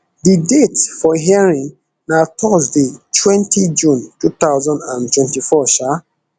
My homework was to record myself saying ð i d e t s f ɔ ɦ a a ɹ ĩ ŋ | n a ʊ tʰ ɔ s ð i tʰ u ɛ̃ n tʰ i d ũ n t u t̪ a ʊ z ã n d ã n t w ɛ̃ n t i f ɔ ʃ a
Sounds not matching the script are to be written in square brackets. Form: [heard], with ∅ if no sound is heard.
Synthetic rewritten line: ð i d e t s f ɔ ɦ [i] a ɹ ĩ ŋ | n a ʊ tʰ ɔ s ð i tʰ [w] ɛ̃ n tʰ i [d͡ʒ] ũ n t u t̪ a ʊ z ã n d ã n t w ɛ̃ n t i f ɔ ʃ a